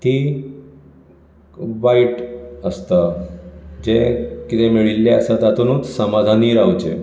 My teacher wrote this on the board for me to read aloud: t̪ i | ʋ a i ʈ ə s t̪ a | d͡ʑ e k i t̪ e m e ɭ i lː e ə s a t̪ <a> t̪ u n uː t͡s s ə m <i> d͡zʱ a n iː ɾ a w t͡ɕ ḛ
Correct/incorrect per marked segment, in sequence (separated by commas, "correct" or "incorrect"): correct, incorrect